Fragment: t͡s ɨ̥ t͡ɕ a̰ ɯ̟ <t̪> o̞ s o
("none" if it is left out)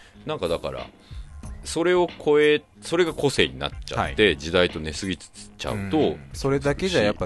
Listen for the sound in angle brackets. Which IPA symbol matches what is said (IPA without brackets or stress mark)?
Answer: t̪